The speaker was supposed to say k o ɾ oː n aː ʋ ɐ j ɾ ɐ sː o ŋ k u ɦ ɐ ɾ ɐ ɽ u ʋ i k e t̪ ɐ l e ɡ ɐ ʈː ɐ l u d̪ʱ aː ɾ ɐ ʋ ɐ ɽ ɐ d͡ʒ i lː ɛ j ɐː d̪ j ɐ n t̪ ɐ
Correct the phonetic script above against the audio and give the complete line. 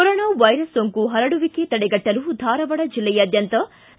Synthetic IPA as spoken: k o ɾ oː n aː ʋ ɐ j ɾ ɐ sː o ŋ k u ɦ ɐ ɾ ɐ ɽ u ʋ i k e t̪ ɐ ɽ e ɡ ɐ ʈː ɐ l u d̪ʱ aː ɾ ɐ ʋ ɐ ɽ ɐ d͡ʒ i lː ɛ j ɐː d̪ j ɐ n t̪ ɐ